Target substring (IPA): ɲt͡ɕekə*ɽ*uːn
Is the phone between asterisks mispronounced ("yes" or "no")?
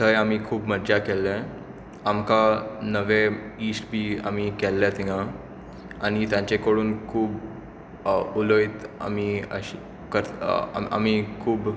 no